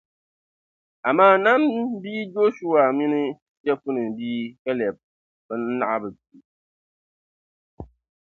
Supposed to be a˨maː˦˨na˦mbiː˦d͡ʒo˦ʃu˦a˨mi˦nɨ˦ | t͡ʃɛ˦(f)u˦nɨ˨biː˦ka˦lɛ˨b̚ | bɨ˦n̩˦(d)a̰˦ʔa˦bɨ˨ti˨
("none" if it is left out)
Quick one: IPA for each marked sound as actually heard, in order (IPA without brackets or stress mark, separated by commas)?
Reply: f, n